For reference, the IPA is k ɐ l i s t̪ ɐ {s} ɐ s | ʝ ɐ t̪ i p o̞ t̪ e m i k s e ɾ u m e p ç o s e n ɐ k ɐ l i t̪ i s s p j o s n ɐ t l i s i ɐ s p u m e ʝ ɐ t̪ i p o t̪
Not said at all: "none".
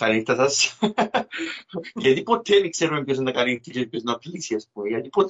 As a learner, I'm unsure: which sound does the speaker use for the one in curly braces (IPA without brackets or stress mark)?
s